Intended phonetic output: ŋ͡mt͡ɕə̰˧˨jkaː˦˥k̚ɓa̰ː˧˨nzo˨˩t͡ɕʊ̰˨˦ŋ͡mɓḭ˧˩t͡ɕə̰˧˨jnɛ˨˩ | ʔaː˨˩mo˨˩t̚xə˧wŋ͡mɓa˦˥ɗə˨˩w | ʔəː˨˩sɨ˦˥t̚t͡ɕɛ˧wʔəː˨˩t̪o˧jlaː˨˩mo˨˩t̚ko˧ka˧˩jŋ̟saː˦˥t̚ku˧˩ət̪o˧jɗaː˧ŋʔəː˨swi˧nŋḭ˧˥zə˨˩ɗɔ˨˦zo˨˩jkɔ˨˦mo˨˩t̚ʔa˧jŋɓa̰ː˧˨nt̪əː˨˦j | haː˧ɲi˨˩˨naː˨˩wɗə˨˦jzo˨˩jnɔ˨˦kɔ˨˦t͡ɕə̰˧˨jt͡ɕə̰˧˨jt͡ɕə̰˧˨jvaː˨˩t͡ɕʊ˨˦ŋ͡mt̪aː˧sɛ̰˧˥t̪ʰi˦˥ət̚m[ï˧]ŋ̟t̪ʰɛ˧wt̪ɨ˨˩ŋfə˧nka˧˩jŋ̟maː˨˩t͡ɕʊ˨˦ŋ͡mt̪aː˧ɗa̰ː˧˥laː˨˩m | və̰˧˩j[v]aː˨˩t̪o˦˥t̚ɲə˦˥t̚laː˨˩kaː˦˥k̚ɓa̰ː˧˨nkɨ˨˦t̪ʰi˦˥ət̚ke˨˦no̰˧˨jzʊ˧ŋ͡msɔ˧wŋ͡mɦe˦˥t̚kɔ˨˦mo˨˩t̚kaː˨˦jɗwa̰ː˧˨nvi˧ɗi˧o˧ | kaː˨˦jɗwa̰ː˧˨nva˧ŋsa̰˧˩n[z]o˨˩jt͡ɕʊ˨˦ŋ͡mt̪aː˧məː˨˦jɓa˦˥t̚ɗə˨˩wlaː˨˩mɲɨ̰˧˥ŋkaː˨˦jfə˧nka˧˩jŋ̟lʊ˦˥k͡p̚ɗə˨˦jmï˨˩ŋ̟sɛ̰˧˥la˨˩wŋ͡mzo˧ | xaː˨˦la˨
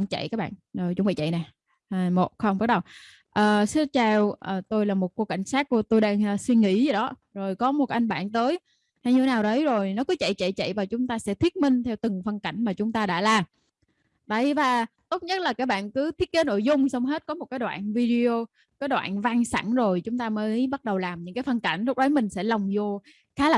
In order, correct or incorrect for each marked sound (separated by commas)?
correct, correct, correct